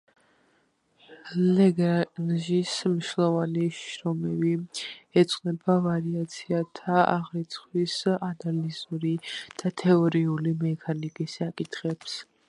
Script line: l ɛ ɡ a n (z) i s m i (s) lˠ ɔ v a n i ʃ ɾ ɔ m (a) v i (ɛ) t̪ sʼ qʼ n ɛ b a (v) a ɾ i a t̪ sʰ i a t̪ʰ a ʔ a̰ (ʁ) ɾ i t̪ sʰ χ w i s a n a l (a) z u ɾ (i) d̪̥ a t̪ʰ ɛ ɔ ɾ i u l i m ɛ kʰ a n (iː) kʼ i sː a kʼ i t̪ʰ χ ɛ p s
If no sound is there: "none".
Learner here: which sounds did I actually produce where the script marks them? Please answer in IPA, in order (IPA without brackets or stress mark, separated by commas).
ʒ, ʃ, ɛ, ɛ, v, ʁ, i, i, i